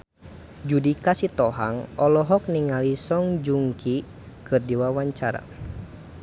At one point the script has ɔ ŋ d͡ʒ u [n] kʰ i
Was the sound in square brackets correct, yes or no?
no